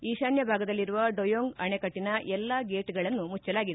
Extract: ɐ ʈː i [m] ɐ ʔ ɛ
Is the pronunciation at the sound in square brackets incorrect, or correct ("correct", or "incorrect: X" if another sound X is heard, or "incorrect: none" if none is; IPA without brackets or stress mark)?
incorrect: n